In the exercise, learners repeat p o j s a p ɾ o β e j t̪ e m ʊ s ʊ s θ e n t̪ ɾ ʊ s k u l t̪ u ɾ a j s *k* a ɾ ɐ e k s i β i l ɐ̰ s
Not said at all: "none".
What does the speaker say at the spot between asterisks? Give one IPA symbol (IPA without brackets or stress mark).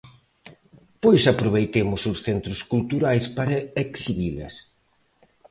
p